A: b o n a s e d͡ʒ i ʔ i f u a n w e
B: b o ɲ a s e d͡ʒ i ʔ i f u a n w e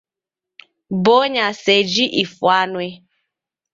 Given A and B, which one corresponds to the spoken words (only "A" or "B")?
B